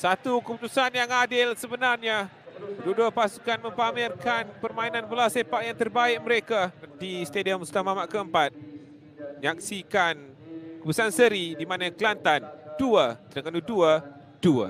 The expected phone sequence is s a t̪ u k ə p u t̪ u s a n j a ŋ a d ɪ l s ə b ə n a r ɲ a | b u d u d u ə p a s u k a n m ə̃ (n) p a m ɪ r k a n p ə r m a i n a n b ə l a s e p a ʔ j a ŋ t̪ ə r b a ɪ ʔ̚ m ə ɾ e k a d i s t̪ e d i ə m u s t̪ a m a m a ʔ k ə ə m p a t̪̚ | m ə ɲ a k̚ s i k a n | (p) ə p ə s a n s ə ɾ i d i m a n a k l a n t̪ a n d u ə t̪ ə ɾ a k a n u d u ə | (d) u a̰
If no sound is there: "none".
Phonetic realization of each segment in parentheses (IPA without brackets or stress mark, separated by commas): m, k, d